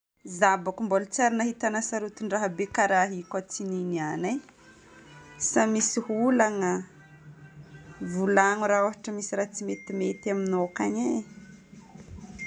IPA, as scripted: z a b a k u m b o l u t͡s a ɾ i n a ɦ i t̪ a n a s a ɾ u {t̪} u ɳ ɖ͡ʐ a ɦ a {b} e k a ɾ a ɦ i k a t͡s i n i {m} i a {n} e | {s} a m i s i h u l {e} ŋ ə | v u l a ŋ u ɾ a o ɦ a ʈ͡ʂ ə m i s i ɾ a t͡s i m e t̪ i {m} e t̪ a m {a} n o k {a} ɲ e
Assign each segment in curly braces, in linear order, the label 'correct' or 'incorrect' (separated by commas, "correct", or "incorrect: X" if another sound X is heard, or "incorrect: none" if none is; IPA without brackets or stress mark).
correct, correct, incorrect: n, correct, correct, incorrect: a, correct, incorrect: i, correct